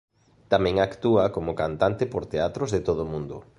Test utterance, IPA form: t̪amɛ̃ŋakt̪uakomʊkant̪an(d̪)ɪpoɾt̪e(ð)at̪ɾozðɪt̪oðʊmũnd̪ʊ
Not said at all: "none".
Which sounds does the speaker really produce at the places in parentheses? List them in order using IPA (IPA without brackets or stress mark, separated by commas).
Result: t̪, none